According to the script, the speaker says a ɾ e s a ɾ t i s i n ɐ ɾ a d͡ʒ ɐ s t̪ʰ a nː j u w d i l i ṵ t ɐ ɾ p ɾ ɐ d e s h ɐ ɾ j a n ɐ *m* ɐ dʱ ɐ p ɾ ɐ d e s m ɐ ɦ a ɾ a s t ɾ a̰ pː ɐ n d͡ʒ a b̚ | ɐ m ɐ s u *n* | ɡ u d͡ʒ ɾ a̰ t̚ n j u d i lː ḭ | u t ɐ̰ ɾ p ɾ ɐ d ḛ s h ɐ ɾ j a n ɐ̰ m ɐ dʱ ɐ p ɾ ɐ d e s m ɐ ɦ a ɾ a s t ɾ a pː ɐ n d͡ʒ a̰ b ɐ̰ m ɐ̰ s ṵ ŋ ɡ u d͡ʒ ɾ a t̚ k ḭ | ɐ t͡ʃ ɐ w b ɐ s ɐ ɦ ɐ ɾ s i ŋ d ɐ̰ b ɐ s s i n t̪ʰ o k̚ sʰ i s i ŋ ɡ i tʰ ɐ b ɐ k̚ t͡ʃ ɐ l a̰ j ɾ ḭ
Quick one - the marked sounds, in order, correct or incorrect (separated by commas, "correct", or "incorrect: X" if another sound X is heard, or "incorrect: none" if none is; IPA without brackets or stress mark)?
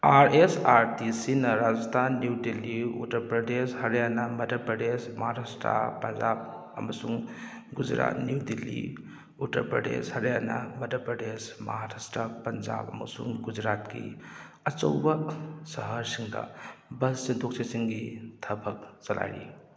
correct, incorrect: ŋ